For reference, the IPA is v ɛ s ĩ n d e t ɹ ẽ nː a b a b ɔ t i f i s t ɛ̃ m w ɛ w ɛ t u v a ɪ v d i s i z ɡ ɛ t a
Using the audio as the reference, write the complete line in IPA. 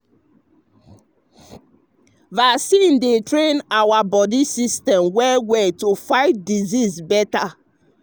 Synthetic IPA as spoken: v a s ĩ n d e t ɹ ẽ n a w a b ɔ d i s i s t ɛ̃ m w ɛ w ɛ t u f a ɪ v d i z i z b ɛ t a